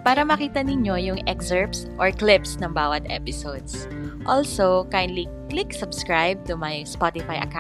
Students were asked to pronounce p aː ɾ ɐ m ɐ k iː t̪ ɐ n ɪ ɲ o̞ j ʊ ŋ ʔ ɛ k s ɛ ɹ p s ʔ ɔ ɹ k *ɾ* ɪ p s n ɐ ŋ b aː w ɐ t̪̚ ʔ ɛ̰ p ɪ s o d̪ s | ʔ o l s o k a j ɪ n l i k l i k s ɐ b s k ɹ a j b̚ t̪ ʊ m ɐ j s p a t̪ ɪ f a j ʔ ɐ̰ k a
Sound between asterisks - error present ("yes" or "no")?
yes